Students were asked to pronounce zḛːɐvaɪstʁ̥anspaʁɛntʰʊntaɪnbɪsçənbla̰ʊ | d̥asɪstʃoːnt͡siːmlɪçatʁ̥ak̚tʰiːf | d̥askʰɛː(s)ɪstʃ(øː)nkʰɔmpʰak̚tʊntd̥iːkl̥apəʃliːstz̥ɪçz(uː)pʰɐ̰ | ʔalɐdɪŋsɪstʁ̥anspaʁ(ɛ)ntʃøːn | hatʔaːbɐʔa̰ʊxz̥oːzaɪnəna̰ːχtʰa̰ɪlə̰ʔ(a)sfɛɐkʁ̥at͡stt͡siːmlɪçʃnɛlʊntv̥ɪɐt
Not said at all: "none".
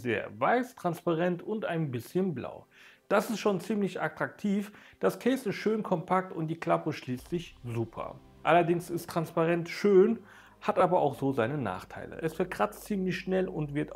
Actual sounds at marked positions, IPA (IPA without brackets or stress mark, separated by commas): s, øː, uː, ɛ, ɛ